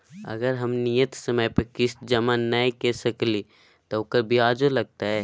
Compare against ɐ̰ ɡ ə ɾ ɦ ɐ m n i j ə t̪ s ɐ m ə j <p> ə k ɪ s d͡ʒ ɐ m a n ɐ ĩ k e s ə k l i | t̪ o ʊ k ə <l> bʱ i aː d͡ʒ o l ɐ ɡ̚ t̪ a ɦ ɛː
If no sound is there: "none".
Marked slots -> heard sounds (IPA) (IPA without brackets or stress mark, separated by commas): p, ɾ